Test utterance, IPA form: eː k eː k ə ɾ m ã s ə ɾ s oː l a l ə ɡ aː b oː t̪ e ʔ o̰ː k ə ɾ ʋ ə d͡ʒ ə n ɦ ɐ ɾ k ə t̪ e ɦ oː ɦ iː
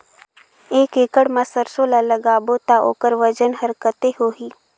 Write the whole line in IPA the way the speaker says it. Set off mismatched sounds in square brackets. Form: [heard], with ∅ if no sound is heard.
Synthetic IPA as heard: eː k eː k ə [ɽ] m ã s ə ɾ s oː l a l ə ɡ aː b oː t̪ [a] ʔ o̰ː k ə ɾ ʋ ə d͡ʒ ə n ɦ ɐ ɾ k ə t̪ e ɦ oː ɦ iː

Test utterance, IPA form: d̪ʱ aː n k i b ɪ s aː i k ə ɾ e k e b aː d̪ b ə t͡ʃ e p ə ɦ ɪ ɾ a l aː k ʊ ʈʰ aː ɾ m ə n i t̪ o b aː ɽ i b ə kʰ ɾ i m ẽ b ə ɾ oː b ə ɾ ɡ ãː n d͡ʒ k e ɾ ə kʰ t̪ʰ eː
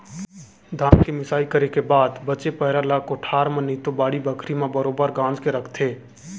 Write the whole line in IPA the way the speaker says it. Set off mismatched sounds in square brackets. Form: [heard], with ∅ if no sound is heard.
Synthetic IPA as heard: d̪ʱ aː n k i [m] ɪ s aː i k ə ɾ e k e b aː d̪ b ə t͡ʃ e p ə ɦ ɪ ɾ a l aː k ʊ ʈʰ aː ɾ m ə n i t̪ o b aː ɽ i b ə kʰ ɾ i m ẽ b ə ɾ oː b ə ɾ ɡ ãː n d͡ʒ k e ɾ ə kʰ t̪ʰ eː

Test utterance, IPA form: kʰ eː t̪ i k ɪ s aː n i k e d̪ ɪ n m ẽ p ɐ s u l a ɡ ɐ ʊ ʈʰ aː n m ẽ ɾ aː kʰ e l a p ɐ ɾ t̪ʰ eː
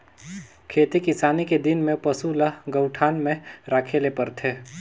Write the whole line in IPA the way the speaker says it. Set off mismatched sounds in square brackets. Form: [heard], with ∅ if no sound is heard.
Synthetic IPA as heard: kʰ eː t̪ i k ɪ s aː n i k e d̪ ɪ n m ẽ p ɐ s u l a ɡ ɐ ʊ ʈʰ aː n m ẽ ɾ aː kʰ e l [e] p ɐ ɾ t̪ʰ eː

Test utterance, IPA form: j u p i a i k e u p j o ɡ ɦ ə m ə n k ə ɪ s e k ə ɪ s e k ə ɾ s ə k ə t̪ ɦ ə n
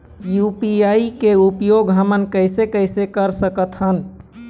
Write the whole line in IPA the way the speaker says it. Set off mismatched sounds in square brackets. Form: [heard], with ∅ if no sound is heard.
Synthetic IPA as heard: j u p i a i k e u p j o ɡ ɦ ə m ə n k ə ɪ s e k ə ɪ s e k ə ɾ s ə k ə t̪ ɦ ə n

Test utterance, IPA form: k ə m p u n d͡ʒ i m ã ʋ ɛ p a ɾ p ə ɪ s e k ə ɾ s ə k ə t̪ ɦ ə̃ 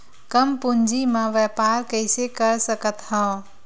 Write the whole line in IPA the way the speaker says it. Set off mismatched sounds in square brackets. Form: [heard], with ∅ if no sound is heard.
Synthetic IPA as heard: k ə m p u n d͡ʒ i m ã ʋ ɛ p a ɾ [k] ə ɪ s e k ə ɾ s ə k ə t̪ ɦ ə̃

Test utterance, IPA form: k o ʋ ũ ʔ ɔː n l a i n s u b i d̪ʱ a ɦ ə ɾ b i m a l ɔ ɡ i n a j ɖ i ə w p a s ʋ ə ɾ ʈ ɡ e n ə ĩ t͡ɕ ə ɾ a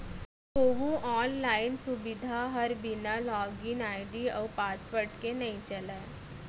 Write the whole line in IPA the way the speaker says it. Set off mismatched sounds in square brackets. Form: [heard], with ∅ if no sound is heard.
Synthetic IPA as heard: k o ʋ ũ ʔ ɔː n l a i n s u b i d̪ʱ a ɦ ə ɾ b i [n] a l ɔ ɡ i n a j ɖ i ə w p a s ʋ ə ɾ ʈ [k] e n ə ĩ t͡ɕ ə [l] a

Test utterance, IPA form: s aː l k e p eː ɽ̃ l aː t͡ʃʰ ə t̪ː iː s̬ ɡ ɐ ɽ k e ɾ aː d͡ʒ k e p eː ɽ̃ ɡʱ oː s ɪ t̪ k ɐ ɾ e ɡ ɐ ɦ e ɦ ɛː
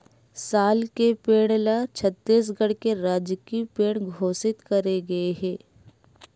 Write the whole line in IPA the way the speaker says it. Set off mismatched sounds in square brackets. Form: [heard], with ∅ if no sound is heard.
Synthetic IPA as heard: s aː l k e p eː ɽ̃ l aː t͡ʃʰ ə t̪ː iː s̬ ɡ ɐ ɽ k e ɾ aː d͡ʒ k [i] p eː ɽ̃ ɡʱ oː s ɪ t̪ k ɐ ɾ e ɡ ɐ [∅] e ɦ ɛː

